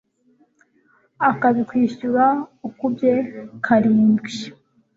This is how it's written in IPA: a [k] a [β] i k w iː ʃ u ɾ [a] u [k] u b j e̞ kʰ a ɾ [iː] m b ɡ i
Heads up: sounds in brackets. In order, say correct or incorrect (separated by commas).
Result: correct, correct, correct, correct, correct